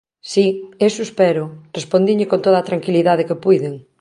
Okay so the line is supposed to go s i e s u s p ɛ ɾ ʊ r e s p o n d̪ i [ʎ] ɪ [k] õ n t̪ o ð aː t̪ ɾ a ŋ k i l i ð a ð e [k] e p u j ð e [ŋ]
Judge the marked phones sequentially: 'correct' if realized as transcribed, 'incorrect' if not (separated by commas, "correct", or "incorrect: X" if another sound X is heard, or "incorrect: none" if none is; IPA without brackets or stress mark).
correct, correct, correct, correct